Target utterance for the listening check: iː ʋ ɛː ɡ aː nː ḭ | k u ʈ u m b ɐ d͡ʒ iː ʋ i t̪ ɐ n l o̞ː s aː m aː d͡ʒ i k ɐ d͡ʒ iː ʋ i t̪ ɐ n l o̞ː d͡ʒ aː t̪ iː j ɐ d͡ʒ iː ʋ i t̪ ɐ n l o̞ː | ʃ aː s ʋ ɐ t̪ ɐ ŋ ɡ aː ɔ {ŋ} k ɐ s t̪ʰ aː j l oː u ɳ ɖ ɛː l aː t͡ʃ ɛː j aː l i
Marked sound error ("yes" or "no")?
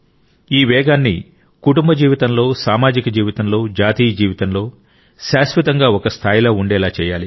yes